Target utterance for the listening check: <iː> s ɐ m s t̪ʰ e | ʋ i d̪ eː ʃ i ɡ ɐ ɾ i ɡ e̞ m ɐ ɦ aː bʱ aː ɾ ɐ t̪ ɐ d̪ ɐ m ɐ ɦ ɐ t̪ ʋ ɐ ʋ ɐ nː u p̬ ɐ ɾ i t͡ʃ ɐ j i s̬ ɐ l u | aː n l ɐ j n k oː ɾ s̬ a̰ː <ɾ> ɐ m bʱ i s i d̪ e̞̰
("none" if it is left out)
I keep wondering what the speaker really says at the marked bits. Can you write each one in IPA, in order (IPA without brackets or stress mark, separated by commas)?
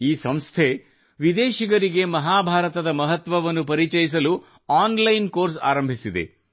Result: iː, ɾ